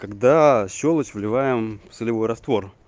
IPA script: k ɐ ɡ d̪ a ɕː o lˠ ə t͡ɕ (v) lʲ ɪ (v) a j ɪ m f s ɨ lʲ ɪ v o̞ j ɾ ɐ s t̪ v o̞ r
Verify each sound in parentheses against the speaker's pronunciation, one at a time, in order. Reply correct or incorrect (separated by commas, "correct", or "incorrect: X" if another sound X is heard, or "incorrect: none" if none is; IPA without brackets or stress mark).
correct, correct